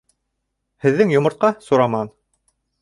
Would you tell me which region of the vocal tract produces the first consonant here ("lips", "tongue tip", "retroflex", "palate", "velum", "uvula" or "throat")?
throat